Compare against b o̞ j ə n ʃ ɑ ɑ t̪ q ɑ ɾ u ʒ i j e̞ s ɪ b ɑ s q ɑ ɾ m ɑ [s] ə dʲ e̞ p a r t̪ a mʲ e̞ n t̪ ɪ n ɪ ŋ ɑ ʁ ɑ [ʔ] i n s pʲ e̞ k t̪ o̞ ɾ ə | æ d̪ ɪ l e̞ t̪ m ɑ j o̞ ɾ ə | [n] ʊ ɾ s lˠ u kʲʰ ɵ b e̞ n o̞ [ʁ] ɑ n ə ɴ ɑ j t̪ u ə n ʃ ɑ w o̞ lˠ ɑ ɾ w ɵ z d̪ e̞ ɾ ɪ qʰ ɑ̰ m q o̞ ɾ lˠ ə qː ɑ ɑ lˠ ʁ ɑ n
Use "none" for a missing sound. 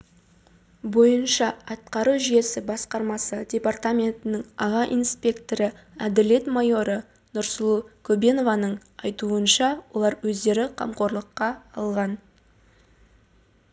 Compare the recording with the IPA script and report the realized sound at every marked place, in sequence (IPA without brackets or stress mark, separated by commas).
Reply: s, ʔ, n, v